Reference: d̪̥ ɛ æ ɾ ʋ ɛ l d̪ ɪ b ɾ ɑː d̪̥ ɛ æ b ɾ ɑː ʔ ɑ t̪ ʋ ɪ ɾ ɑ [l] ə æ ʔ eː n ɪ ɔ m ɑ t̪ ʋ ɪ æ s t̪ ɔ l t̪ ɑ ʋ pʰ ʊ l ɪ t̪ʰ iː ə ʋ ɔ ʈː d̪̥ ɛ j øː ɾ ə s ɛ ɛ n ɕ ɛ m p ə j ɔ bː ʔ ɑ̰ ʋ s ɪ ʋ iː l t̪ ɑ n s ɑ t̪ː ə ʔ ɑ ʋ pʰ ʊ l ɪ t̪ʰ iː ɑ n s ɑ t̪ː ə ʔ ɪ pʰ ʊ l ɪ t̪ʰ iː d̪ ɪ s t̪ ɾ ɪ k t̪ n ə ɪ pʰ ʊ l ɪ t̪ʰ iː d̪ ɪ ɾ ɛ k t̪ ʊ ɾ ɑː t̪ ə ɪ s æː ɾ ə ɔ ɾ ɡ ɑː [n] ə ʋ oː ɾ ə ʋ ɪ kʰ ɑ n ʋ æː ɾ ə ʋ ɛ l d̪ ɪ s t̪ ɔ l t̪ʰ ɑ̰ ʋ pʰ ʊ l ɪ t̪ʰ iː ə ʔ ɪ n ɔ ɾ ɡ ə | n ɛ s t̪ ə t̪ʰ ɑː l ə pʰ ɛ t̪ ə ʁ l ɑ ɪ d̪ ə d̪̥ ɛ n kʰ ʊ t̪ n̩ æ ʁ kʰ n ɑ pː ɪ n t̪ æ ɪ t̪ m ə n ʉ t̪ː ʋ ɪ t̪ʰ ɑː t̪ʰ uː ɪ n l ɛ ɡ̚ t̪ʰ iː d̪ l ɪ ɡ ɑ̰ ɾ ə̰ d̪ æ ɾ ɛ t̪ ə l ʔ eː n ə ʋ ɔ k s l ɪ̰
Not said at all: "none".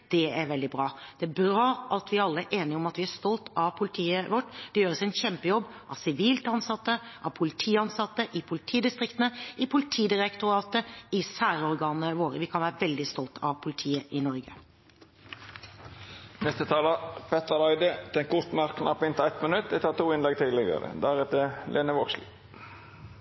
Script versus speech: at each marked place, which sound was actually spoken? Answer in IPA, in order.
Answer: lː, n

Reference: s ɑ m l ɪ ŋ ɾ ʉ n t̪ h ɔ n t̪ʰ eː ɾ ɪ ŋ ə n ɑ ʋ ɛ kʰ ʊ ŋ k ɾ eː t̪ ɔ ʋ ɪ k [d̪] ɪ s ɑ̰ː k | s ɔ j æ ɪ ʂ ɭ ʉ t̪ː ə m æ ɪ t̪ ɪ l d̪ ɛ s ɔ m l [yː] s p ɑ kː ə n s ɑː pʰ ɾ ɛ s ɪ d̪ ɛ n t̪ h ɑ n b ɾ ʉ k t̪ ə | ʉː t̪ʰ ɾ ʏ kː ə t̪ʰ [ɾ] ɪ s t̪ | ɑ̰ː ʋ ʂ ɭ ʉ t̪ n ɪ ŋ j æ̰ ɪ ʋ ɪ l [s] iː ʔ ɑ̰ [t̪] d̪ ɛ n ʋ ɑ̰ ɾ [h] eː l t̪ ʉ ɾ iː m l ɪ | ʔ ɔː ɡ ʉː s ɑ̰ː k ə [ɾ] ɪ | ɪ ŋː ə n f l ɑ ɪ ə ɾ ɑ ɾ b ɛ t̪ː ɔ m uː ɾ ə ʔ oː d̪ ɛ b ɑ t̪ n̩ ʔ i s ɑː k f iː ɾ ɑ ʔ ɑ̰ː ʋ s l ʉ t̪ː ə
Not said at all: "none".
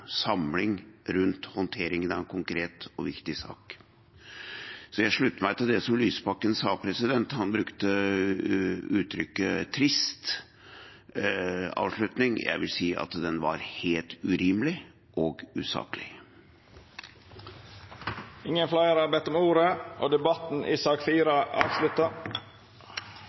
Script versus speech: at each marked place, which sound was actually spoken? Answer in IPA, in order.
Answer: t̪, yː, ɾ, s, t̪, h, l

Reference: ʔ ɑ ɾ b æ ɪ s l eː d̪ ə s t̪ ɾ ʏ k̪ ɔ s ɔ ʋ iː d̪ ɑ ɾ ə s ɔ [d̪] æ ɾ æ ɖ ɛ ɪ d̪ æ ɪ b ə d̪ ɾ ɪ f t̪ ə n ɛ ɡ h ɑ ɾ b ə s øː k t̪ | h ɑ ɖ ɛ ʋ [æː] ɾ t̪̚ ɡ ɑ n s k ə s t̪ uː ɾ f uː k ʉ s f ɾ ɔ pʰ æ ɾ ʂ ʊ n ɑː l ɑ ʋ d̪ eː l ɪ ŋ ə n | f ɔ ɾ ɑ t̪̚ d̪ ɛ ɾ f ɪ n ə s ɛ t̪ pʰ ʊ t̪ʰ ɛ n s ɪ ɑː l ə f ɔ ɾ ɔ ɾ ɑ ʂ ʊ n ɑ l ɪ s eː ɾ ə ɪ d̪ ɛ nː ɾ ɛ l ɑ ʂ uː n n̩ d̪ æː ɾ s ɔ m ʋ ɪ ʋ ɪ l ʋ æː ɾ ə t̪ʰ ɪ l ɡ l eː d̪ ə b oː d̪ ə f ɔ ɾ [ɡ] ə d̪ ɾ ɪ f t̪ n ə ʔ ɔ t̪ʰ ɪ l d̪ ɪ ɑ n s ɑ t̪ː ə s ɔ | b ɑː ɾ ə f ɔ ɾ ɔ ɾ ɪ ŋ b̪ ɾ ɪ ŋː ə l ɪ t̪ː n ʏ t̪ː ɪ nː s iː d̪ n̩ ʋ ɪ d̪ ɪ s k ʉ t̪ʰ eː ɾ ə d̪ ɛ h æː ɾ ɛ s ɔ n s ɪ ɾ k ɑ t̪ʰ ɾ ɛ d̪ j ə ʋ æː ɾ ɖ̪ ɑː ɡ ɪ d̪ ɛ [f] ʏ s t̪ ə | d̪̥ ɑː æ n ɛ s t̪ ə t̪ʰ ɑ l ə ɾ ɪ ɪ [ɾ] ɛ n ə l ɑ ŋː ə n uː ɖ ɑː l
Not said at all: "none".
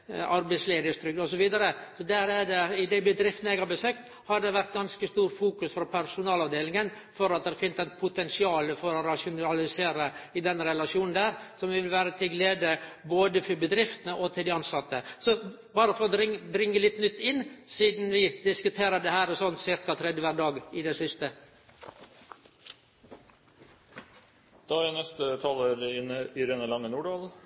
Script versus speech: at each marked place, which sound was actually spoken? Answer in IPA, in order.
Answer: d̪, æ, b, s, ɾ

